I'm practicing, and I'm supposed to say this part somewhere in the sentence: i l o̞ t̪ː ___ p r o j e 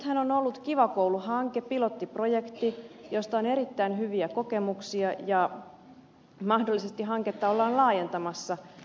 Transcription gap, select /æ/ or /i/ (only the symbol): i